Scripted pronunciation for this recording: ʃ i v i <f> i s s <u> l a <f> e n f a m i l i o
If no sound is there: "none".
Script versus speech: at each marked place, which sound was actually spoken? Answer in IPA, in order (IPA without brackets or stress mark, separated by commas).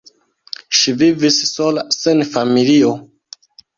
v, o, s